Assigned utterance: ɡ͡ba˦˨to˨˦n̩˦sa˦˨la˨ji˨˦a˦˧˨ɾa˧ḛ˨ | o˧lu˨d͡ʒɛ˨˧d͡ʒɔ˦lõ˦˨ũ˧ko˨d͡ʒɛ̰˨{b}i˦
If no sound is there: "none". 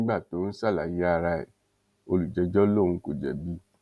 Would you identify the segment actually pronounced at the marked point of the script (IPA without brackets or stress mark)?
b